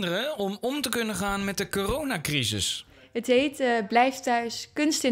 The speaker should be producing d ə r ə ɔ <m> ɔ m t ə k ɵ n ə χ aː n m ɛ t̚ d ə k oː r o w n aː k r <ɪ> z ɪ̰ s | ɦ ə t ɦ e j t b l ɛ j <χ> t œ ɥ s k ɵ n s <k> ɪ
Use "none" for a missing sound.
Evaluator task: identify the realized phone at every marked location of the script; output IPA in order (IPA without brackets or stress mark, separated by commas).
m, i, f, t